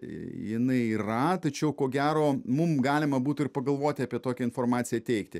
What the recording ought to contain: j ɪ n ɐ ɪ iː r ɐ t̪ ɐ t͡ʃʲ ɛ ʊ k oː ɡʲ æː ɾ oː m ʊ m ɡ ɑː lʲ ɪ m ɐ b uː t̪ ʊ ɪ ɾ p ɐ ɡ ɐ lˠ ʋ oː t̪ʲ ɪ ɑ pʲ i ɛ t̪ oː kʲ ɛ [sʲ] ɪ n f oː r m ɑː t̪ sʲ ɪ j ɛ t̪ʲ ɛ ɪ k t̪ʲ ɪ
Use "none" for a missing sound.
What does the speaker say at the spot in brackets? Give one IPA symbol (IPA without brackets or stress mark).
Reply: none